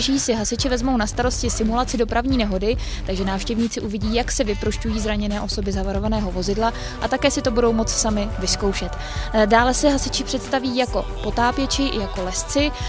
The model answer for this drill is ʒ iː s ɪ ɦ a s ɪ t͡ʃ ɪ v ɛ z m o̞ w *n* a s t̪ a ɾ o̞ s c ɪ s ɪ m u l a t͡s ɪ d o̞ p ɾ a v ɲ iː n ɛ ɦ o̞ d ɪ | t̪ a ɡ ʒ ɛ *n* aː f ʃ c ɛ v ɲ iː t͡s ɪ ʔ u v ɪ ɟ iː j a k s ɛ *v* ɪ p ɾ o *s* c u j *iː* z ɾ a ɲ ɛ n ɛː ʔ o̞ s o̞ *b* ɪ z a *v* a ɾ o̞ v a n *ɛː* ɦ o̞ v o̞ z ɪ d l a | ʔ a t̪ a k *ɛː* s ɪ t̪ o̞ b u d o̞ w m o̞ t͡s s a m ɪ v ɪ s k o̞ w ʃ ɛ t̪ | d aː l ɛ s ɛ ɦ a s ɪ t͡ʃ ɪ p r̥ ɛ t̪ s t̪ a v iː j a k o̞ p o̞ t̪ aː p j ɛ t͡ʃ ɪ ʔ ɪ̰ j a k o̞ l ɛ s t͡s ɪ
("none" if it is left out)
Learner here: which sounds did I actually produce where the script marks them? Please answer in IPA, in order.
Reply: n, n, v, ʃ, iː, b, v, ɛː, ɛː

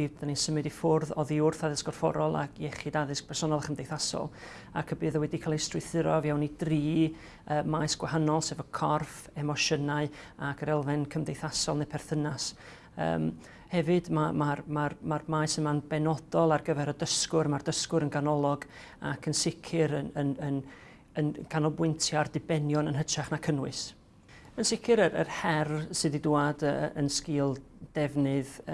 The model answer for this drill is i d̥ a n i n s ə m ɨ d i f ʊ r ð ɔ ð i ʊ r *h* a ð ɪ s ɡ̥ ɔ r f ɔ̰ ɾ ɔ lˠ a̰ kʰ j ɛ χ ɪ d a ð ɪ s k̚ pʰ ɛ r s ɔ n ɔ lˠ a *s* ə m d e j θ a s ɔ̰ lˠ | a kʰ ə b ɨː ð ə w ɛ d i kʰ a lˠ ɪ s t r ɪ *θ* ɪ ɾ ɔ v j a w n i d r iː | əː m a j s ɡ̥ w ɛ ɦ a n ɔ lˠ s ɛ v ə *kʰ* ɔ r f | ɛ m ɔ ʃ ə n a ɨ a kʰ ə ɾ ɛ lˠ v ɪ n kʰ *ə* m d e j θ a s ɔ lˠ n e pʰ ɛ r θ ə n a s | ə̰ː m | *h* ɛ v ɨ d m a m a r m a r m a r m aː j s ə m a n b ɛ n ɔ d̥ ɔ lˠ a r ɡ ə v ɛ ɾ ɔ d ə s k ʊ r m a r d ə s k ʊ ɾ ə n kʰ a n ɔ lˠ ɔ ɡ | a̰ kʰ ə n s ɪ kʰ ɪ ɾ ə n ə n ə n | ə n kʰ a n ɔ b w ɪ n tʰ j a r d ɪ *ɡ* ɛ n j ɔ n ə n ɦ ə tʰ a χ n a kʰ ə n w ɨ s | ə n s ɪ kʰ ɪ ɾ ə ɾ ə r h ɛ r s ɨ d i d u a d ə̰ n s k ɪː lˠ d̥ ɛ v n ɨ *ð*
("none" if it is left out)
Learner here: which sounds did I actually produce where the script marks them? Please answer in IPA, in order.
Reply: θ, χ, θ, kʰ, ə, h, b, ð

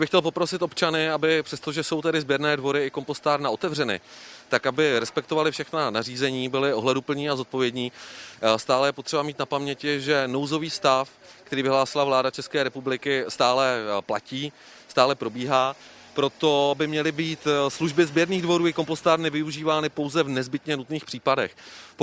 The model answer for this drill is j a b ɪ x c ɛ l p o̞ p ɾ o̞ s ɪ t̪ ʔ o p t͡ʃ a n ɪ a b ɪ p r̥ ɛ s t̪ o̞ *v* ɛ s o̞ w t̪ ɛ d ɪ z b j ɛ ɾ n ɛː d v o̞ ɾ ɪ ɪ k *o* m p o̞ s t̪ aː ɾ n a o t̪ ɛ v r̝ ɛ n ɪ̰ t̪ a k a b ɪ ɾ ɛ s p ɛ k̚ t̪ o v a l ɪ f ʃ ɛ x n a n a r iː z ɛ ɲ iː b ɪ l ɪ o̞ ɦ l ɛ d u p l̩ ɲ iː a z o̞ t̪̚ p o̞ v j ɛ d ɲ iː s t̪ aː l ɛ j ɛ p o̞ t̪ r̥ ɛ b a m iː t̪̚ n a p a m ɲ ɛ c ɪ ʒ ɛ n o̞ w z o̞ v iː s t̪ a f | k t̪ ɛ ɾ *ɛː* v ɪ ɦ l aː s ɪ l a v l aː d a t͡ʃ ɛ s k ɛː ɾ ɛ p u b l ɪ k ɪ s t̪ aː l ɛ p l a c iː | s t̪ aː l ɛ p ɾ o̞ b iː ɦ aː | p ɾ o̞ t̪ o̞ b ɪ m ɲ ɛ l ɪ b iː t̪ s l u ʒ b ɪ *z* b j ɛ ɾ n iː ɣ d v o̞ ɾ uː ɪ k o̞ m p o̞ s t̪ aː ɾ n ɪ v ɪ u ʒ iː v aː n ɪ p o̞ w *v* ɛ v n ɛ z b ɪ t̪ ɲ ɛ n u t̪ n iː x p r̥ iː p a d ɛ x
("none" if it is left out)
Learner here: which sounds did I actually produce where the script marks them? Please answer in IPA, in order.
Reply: ʒ, o, iː, z, z

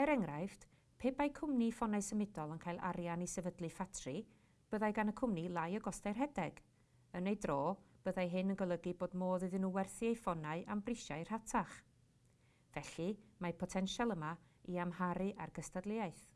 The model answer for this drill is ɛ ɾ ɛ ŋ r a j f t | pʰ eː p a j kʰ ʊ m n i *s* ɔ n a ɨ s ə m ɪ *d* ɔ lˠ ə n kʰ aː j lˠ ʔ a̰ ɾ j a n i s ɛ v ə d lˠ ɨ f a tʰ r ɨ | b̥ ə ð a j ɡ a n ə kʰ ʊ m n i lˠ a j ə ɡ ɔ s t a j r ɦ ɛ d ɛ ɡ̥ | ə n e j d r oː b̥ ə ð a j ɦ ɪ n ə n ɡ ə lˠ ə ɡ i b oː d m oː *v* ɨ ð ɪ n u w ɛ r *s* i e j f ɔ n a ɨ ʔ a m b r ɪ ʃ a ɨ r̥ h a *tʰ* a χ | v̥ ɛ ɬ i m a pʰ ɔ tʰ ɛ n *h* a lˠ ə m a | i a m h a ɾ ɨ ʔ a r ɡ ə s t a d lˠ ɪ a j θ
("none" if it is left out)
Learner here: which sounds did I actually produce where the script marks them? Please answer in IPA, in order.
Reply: f, d, ð, θ, tʰ, ʃ

